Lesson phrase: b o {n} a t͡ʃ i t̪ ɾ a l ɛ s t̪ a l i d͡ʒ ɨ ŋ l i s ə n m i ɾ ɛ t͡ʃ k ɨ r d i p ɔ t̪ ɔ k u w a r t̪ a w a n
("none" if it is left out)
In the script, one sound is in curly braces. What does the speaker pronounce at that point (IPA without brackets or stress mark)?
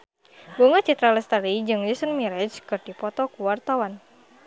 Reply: ŋ